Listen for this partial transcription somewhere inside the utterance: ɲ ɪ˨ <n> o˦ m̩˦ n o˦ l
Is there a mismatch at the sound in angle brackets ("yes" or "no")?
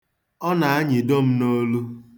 yes